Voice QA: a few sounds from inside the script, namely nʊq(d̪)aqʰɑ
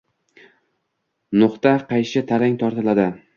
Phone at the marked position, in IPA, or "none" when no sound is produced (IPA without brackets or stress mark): t̪